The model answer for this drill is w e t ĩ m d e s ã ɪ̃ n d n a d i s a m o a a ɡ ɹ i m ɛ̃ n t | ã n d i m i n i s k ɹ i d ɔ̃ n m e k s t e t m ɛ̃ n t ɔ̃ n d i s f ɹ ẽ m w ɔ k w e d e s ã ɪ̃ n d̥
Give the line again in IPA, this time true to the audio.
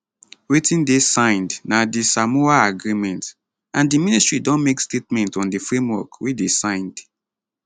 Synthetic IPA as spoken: w e t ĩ n d e s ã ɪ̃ n d n a d i s a m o a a ɡ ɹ i m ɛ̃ n t | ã n d i m i n i s t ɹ i d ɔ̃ n m e k s t e t m ɛ̃ n t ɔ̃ n d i f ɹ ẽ m w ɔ k w e d e s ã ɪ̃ n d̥